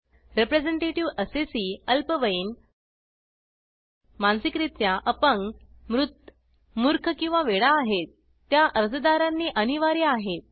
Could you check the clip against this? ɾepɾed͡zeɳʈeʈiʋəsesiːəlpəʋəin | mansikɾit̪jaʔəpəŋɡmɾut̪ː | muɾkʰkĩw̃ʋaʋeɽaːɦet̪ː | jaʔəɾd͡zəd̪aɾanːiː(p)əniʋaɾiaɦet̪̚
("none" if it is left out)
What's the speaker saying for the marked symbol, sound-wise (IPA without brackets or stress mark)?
ʔ